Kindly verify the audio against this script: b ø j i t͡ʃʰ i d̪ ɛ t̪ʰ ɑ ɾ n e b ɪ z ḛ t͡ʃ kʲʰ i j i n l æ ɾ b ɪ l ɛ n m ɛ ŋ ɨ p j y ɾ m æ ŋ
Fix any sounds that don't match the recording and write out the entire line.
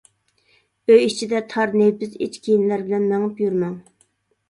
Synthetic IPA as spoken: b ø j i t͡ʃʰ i d̪ ɛ t̪ʰ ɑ ɾ n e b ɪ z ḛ t͡ʃ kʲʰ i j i n l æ ɾ b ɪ l ɛ n m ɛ ŋ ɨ p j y ɾ m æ ŋ